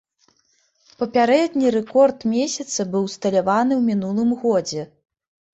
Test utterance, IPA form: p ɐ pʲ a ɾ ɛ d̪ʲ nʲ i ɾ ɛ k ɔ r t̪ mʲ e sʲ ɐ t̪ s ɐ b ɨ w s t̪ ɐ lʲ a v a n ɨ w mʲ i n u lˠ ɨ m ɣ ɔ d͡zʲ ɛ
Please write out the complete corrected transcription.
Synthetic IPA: p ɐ pʲ a ɾ ɛ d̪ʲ nʲ i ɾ ɛ k ɔ r t̪ mʲ e sʲ ɐ t̪ s ɐ b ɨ w s t̪ ɐ lʲ a v a n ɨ w mʲ i n u lˠ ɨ m ɣ ɔ d͡zʲ ɛ